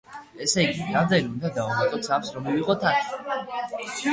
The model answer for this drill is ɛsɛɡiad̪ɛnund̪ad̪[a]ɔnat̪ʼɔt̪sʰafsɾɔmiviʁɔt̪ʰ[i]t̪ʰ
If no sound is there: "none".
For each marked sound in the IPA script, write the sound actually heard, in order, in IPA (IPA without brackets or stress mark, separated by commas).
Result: a, a